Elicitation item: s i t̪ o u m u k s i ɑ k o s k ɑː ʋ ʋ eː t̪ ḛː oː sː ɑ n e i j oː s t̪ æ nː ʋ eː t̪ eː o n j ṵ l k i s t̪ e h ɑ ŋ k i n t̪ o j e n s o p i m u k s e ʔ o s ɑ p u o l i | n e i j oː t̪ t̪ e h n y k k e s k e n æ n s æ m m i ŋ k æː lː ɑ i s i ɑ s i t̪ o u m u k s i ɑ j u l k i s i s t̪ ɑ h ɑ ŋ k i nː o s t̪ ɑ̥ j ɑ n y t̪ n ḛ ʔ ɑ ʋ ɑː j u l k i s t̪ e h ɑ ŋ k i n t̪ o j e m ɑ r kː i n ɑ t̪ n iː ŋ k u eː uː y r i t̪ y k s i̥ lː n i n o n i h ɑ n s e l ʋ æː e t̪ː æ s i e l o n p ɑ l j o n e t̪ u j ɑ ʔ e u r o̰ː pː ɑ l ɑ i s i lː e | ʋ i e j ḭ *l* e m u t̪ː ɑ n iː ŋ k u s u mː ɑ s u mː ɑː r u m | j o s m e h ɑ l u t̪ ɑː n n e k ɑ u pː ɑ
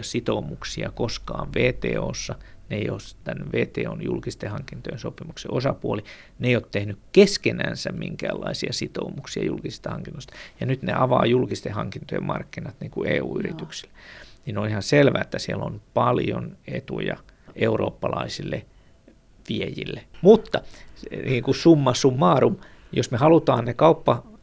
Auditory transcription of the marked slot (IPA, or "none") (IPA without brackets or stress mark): lː